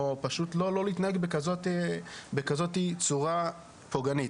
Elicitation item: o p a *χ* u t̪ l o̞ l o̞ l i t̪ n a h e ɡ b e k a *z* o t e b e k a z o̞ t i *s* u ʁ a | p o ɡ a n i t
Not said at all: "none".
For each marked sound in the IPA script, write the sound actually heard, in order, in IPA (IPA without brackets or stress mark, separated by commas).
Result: ʃ, z, t͡s